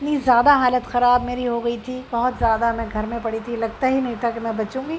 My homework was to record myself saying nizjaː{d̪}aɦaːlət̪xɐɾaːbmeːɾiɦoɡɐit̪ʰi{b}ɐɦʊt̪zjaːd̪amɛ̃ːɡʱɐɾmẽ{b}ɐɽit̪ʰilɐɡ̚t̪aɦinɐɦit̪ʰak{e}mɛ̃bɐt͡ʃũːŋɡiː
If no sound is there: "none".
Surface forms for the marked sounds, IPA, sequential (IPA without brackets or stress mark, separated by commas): d̪, b, p, e